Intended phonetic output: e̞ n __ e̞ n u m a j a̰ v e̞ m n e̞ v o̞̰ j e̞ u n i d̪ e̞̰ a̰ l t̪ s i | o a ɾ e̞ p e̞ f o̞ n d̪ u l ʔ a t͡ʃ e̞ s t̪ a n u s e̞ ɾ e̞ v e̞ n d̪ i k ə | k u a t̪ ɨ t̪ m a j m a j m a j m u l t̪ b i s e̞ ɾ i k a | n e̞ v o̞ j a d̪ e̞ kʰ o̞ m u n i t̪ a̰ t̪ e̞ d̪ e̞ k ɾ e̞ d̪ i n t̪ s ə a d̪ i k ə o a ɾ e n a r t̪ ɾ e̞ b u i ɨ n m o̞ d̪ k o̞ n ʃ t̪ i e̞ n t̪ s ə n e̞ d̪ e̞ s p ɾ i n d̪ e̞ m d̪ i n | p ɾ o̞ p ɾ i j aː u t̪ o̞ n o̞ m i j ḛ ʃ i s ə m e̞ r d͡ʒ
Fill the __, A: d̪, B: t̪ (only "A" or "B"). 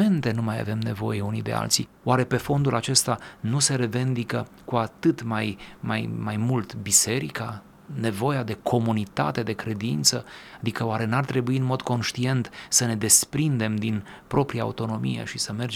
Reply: B